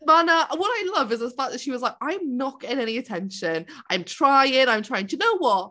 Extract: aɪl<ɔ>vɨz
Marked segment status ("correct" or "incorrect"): incorrect